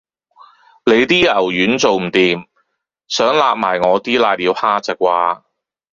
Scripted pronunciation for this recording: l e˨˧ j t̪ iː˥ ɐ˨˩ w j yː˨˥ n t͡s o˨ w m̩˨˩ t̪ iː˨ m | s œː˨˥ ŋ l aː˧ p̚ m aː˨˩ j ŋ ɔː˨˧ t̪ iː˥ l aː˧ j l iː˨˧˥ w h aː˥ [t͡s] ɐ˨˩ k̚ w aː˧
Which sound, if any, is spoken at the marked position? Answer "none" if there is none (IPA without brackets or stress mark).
t͡s